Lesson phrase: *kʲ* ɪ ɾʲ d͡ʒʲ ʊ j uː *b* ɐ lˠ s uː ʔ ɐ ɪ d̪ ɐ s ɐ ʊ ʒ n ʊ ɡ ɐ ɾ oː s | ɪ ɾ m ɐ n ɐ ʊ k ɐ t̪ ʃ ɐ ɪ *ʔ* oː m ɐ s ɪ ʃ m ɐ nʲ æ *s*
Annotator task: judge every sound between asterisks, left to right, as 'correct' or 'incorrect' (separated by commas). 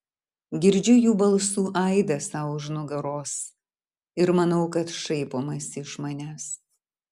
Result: incorrect, correct, incorrect, correct